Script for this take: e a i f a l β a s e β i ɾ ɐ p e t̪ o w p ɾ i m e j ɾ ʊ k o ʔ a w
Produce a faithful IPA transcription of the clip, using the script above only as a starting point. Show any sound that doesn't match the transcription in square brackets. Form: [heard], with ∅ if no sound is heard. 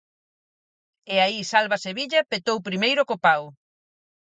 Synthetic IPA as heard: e a i [s] a l β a s e β i [ʎ] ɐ p e t̪ o w p ɾ i m e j ɾ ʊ k o [p] a w